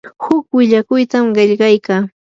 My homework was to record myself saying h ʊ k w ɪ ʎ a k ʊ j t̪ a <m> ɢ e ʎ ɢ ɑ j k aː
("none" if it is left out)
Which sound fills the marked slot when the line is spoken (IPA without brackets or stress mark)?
m